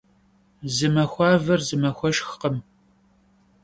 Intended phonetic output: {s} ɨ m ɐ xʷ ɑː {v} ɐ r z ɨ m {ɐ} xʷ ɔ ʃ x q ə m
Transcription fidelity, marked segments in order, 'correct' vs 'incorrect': incorrect: z, correct, correct

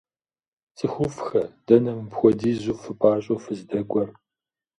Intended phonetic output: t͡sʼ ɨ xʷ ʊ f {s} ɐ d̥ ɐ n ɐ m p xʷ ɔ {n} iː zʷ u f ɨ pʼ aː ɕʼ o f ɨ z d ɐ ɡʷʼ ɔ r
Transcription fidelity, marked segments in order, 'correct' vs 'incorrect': incorrect: x, incorrect: d

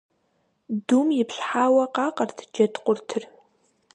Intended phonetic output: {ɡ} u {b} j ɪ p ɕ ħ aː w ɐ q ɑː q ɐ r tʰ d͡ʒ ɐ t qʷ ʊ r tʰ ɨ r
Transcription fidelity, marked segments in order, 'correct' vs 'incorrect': incorrect: d, incorrect: m

